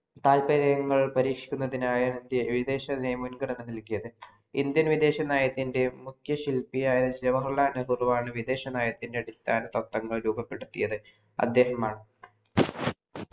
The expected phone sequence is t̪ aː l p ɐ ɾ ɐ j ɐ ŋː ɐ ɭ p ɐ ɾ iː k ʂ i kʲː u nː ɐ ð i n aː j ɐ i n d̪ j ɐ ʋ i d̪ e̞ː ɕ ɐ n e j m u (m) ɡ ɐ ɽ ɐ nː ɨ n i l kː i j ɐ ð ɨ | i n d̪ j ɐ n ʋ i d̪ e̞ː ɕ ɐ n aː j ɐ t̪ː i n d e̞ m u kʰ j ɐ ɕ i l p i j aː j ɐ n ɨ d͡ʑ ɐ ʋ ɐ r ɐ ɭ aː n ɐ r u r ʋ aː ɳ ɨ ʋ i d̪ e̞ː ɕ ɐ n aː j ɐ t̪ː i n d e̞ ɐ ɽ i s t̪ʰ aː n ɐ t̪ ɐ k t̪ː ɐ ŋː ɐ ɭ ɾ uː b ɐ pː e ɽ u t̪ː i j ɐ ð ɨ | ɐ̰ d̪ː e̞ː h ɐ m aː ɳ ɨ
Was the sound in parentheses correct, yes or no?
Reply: no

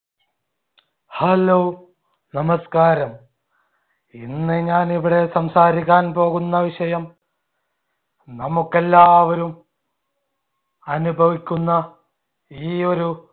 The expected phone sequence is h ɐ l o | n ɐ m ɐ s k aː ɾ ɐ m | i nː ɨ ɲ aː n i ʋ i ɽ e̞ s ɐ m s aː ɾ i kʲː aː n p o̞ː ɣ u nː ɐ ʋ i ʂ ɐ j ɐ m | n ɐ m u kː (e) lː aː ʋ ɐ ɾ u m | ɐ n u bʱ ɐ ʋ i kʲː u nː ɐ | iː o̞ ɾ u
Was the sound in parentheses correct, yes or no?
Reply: yes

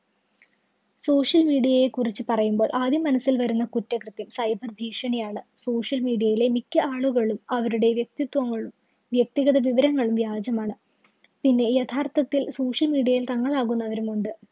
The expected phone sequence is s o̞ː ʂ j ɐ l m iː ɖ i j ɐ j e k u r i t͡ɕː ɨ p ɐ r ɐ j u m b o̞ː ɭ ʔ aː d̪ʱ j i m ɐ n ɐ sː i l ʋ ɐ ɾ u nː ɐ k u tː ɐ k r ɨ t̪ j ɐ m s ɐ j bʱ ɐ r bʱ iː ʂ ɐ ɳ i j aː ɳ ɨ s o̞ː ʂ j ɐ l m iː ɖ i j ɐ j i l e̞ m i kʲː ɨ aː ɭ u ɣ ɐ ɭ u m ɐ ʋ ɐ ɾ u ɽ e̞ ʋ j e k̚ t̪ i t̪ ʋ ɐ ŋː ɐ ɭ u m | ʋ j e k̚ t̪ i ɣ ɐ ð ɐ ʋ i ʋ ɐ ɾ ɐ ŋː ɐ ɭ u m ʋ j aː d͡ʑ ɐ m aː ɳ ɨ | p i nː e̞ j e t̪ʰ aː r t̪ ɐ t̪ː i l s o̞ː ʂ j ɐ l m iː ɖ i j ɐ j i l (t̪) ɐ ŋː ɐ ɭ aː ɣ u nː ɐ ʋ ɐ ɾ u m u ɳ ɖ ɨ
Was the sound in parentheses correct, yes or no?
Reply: yes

